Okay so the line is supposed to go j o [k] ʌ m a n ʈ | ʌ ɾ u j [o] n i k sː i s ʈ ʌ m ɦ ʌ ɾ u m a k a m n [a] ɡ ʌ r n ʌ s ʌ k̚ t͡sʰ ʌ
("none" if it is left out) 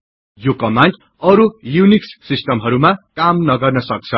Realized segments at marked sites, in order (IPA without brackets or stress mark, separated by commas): k, u, ʌ